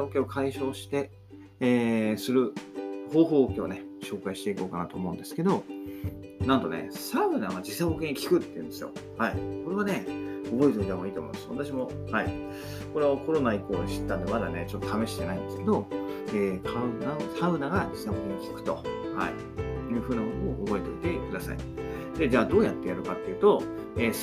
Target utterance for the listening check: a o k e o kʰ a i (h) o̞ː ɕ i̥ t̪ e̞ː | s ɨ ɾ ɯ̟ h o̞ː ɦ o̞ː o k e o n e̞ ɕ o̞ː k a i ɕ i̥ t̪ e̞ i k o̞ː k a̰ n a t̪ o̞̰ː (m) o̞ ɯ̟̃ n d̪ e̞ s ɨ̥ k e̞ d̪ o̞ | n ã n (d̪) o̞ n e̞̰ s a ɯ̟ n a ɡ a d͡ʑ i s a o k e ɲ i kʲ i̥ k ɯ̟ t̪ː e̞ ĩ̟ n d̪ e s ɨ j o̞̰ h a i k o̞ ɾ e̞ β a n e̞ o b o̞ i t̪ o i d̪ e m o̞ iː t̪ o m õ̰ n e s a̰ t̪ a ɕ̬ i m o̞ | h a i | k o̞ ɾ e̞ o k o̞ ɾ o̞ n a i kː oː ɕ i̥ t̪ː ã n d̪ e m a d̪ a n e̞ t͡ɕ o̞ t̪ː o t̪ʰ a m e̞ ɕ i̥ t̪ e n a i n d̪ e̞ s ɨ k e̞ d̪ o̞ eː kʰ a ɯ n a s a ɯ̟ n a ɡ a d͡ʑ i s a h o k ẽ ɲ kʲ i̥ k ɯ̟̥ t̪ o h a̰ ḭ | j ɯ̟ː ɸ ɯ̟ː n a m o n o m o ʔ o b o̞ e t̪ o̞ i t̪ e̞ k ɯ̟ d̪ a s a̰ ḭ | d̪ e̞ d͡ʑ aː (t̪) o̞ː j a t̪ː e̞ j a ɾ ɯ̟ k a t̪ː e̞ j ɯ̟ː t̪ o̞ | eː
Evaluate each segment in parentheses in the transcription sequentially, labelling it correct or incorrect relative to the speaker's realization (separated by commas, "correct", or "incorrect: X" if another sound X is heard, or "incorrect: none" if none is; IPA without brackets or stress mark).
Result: incorrect: ɕ, correct, incorrect: t̪, incorrect: d̪